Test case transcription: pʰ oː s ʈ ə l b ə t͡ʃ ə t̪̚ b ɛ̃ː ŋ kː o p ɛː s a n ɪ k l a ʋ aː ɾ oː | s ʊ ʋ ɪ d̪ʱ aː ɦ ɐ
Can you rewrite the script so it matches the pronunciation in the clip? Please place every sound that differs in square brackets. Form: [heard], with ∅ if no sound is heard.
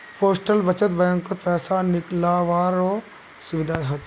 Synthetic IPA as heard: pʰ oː s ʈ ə l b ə t͡ʃ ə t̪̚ b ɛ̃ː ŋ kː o p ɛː s a n ɪ k l a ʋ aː ɾ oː | s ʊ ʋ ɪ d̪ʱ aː ɦ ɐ